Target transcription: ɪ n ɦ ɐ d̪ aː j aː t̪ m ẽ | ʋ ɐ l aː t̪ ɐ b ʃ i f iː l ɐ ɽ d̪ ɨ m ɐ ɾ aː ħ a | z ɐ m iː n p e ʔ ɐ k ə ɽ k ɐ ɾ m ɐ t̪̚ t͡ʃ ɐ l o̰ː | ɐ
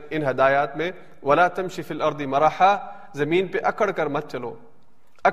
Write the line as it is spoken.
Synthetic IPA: ɪ n ɦ ɐ d̪ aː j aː t̪ m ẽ | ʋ ɐ l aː t̪ ɐ m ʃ i f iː l ɐ ɾ d̪ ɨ m ɐ ɾ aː ħ a | z ɐ m iː n p e ʔ ɐ k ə ɽ k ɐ ɾ m ɐ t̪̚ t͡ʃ ɐ l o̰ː | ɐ